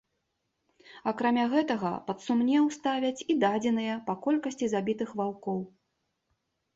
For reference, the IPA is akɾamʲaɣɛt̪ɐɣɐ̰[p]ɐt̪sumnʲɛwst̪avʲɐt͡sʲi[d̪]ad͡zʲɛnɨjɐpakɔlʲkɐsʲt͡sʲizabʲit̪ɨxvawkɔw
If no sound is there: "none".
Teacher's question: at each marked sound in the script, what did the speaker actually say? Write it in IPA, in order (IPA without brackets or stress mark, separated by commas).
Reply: p, d̪